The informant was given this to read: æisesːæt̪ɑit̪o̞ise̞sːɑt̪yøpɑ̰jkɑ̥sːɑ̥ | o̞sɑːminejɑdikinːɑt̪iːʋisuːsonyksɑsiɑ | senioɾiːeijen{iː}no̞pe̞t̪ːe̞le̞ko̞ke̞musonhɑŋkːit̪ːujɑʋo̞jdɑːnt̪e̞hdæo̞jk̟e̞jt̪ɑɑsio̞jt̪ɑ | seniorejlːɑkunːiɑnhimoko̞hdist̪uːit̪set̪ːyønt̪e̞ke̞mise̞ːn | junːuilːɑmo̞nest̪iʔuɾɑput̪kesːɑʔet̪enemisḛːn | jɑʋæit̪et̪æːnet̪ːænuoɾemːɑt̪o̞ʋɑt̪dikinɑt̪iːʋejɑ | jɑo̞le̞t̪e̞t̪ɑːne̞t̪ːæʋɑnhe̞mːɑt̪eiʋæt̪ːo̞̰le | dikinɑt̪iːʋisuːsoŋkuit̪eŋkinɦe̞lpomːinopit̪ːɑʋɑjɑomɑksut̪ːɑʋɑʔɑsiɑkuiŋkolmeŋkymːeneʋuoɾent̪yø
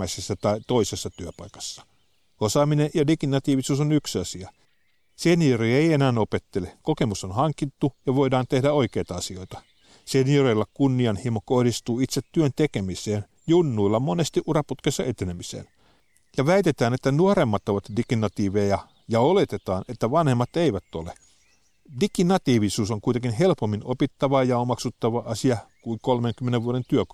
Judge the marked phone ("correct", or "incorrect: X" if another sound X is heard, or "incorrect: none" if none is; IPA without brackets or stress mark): incorrect: æː